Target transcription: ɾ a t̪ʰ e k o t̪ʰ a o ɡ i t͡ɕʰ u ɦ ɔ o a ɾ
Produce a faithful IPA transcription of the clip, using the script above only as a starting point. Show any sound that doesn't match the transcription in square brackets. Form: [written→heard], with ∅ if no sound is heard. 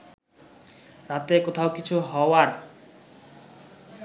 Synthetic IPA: ɾ a [t̪ʰ→t̪] e k o t̪ʰ a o [ɡ→k] i t͡ɕʰ u ɦ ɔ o a ɾ